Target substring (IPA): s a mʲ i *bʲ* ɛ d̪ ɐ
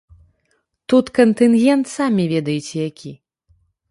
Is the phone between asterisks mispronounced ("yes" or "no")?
yes